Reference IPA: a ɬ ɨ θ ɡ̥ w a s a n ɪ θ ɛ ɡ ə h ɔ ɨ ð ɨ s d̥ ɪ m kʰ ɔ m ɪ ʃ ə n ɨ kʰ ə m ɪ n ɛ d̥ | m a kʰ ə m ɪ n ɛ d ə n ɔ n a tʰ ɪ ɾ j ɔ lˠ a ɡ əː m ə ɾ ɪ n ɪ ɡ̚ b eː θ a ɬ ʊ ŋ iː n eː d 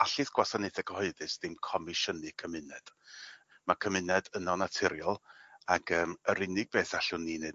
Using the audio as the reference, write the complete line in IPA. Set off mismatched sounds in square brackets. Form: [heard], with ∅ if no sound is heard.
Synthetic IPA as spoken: a ɬ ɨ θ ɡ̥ w a s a n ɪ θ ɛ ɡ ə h ɔ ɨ ð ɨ s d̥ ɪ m kʰ ɔ m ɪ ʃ ə n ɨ kʰ ə m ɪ n ɛ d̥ | m a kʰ ə m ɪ n ɛ d ə n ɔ n a tʰ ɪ ɾ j ɔ lˠ a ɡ əː m ə ɾ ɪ n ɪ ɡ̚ b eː θ a ɬ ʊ [n] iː n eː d